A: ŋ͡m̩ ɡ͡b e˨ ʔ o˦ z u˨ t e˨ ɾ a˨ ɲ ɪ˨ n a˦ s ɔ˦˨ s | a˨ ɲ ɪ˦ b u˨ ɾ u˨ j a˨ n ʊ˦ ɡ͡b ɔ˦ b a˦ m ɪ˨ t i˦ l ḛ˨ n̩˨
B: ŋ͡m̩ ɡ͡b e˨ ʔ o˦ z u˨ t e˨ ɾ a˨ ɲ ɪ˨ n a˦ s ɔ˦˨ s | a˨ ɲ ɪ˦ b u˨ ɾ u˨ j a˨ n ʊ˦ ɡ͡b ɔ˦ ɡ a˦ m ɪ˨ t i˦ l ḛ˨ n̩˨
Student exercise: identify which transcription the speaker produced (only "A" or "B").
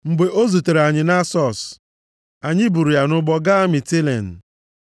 B